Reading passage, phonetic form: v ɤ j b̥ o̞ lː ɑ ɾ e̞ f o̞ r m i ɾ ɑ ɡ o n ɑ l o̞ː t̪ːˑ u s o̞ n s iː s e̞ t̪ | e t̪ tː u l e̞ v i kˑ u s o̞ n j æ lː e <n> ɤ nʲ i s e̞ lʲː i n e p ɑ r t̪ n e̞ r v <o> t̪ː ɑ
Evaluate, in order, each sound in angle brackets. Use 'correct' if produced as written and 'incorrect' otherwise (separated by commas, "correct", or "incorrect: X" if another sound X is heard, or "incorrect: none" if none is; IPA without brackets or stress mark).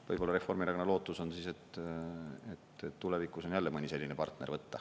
incorrect: m, incorrect: ɤ